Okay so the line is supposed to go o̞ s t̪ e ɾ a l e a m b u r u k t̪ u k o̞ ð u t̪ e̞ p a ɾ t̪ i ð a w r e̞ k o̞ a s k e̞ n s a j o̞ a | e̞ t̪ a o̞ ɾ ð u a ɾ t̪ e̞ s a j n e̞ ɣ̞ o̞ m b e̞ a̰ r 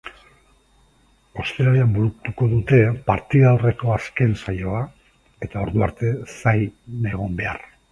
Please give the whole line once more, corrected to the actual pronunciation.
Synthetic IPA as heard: o̞ s t̪ e ɾ a l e a m b u ɾ u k t̪ u k o̞ ð u t̪ e̞ p a ɾ t̪ i ð a w r e̞ k o̞ a s k e̞ n s a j o̞ a | e̞ t̪ a o̞ ɾ ð u a ɾ t̪ e̞ s a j n e̞ ɣ̞ o̞ m b e̞ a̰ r